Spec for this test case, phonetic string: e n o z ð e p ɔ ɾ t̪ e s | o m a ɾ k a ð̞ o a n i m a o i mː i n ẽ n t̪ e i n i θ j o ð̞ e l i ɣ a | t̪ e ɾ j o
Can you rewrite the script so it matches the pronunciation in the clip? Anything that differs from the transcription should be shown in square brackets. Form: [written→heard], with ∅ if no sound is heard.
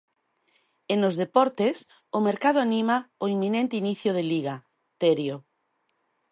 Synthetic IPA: e n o z ð e p ɔ ɾ t̪ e s | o m [a→e] ɾ k a ð̞ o a n i m a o i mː i n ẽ n t̪ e i n i θ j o ð̞ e l i ɣ a | t̪ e ɾ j o